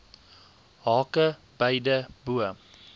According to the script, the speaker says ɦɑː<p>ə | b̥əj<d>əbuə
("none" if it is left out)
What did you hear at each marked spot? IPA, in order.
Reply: k, d

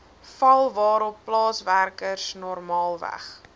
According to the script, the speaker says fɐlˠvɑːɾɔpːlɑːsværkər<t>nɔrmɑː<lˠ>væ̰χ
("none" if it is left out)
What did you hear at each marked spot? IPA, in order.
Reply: s, lˠ

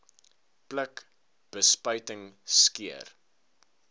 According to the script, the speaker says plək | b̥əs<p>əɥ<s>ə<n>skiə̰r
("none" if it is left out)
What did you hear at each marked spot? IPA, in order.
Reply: p, t, ŋ

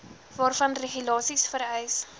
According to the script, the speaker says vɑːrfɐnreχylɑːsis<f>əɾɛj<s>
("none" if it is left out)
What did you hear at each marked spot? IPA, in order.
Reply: f, s

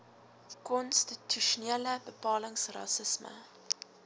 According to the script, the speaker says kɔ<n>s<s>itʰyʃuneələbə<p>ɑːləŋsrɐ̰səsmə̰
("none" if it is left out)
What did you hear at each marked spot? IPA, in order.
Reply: n, t, p

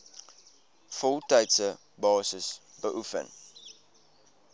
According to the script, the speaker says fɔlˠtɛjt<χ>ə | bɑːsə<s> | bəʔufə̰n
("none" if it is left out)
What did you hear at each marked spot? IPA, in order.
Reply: s, s

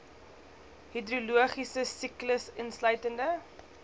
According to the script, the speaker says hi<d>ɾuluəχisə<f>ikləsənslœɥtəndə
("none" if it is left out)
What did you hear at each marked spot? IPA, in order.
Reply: d, s

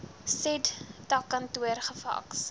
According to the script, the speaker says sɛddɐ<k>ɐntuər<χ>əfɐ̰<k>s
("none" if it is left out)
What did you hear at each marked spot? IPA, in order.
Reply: k, χ, k

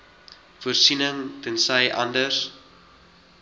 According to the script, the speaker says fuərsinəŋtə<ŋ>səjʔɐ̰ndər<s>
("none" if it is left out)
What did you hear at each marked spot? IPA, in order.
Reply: n, s

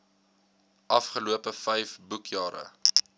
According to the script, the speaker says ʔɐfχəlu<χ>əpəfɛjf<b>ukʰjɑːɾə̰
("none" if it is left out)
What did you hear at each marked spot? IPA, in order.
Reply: none, b

